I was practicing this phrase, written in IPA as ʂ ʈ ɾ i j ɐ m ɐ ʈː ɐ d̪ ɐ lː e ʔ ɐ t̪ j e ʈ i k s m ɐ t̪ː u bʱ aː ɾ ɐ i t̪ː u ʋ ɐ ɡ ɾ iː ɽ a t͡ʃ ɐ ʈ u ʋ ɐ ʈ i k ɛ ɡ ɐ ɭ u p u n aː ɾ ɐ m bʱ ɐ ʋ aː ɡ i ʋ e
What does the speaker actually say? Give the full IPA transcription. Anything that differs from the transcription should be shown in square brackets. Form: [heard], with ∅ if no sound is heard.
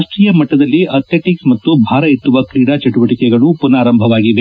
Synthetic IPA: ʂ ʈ ɾ i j ɐ m ɐ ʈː ɐ d̪ ɐ lː [i] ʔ ɐ t̪ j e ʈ i k s m ɐ t̪ː u bʱ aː ɾ ɐ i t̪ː u ʋ ɐ [k] ɾ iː ɽ a t͡ʃ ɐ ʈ u ʋ ɐ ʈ i k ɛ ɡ ɐ ɭ u p u n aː ɾ ɐ m bʱ ɐ ʋ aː ɡ i ʋ e